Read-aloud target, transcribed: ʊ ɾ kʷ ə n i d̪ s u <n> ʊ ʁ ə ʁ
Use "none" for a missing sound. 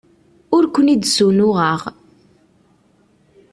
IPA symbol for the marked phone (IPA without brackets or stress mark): n